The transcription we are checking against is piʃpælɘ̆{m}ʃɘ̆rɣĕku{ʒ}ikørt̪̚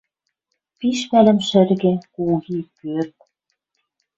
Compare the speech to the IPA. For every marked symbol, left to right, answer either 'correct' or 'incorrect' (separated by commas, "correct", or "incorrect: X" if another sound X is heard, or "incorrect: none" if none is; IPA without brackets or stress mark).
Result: correct, incorrect: ɣ